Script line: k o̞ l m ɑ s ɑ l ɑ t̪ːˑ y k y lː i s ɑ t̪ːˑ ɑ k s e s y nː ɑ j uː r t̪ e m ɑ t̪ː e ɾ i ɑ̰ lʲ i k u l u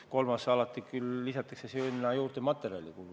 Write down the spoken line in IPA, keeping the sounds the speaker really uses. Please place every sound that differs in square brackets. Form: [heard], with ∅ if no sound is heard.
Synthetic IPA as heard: k o̞ l m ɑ s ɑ l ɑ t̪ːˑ [i] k y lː i s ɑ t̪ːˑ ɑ k s e s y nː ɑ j uː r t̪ e m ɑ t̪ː e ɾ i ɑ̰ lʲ i k u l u